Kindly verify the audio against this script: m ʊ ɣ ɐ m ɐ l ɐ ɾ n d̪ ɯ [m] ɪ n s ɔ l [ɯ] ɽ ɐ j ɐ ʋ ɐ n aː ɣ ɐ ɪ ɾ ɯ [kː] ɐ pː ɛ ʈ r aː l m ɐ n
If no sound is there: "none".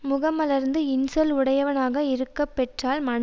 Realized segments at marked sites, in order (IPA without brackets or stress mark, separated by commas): none, ʊ, kː